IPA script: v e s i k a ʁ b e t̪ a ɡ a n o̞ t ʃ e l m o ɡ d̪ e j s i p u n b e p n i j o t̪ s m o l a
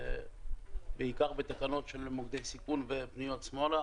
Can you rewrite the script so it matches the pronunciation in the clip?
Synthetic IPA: b e i k a ʁ b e t̪ a k a n o̞ t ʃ e l m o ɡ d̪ e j s i k u n v e p n i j o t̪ s m o l a

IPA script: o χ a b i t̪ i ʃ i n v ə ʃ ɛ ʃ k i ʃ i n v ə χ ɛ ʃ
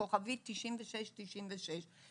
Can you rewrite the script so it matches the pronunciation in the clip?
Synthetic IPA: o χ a v i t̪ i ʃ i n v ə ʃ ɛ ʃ t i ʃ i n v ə ʃ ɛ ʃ

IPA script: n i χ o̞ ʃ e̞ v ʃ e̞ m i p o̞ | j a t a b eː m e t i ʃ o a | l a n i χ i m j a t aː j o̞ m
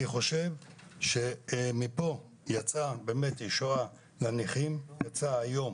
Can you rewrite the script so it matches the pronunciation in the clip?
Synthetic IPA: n i χ o̞ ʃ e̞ v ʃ e̞ m i p o̞ | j a t͡s a b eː m e t i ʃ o a | l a n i χ i m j a t͡s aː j o̞ m

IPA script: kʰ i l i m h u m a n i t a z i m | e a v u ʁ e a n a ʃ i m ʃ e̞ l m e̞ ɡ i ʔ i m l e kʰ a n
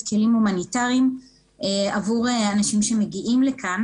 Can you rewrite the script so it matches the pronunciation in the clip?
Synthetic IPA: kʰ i l i m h u m a n i t a ʁ i m | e a v u ʁ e a n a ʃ i m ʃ e̞ m e̞ ɡ i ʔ i m l e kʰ a n

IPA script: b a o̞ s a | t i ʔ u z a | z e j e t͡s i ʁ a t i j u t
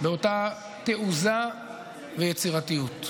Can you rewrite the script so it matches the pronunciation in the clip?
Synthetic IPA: b e o̞ t a | t e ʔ u z a | v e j e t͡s i ʁ a t i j u t

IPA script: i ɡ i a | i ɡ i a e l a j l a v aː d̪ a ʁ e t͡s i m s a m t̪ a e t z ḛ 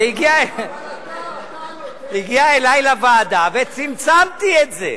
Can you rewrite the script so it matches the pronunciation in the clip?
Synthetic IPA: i ɡ i a | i ɡ i a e l a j l a v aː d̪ a v e t͡s i m t͡s a m t̪ i e t z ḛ

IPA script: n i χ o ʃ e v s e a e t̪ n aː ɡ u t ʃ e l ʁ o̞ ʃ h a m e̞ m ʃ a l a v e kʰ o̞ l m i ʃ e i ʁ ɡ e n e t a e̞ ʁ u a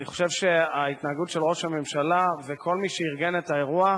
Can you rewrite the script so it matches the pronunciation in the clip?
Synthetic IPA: n i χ o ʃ e v ʃ e a i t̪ n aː ɡ u t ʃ e l ʁ o̞ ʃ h a m e̞ m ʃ a l a v e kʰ o̞ l m i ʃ e i ʁ ɡ e n e t a e̞ ʁ u a

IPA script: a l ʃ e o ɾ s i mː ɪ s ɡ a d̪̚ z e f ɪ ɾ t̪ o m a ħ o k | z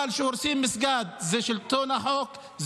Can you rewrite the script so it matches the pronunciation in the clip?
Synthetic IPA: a l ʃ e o ɾ s i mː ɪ s ɡ a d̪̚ z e ʃ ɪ l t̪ o n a ħ o k | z

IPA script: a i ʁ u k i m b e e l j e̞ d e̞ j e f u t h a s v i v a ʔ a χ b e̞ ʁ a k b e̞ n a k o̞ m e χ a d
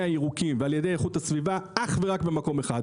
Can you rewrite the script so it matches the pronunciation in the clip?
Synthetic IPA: a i ʁ u k i m v e a l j e̞ d e̞ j e χ u t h a s v i v a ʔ a χ v e̞ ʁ a k b e̞ m a k o̞ m e χ a d

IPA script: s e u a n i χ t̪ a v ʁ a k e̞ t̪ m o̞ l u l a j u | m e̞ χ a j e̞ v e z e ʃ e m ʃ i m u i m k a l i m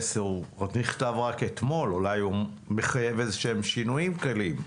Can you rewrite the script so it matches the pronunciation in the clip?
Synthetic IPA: s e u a n i χ t̪ a v ʁ a k e̞ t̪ m o̞ l u l a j u | m e̞ χ a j e̞ v e z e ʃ e m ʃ i n u i m k a l i m

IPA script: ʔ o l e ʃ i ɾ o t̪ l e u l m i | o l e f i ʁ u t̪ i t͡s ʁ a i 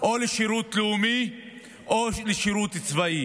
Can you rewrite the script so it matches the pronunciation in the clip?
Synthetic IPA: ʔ o l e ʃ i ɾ u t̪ l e u m i | o l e ʃ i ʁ u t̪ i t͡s v a i

